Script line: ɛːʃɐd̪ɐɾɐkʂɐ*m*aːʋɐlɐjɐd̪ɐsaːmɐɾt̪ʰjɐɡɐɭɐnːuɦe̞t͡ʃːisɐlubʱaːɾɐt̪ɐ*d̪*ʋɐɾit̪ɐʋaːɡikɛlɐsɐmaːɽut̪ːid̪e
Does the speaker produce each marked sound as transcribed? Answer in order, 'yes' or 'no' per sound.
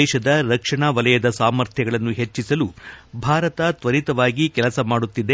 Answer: no, no

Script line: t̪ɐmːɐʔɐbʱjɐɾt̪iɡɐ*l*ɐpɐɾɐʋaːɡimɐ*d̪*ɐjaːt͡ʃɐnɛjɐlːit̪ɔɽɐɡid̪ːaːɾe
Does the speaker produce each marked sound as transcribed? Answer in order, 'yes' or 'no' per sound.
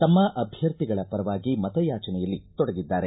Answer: no, no

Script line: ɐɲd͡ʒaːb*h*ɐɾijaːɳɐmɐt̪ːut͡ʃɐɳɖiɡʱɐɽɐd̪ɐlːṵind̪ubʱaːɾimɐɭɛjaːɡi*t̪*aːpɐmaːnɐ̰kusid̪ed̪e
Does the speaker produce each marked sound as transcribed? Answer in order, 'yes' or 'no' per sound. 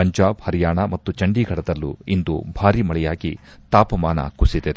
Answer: yes, yes

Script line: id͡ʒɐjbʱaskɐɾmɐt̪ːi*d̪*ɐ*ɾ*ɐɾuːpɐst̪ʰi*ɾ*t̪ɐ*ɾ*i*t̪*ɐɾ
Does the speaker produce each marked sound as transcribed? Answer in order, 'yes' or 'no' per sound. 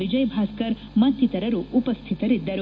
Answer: no, yes, no, yes, no

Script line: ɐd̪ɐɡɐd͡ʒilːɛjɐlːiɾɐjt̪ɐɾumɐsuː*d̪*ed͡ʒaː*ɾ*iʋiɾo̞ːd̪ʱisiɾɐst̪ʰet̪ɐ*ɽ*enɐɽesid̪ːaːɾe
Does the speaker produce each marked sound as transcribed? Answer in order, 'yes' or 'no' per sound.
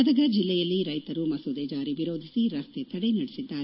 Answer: yes, yes, yes

